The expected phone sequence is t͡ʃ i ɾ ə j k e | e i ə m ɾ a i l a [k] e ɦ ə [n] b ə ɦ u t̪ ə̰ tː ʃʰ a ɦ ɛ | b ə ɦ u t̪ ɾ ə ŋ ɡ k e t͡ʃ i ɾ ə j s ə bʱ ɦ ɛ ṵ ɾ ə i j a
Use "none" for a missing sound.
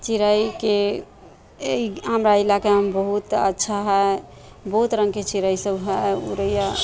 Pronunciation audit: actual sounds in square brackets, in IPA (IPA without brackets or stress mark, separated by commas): k, m